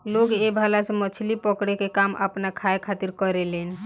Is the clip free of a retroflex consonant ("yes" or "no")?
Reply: no